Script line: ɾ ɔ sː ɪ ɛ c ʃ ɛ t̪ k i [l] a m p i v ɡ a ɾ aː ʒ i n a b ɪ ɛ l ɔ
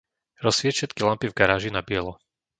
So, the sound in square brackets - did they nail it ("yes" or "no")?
yes